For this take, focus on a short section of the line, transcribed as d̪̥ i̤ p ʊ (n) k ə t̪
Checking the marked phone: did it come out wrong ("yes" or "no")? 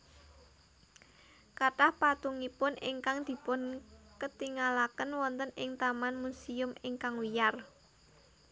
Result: no